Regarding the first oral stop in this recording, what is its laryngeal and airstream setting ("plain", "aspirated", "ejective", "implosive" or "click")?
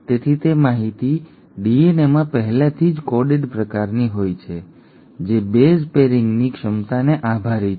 plain